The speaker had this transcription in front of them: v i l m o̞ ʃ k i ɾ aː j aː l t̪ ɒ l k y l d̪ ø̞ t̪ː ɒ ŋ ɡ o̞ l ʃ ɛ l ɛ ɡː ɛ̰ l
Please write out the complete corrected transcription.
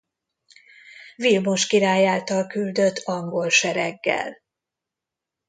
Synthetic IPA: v i l m o̞ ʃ k i ɾ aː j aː l t̪ ɒ l k y l d̪ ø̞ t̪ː ɒ ŋ ɡ o̞ l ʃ ɛ ɾ ɛ ɡː ɛ̰ l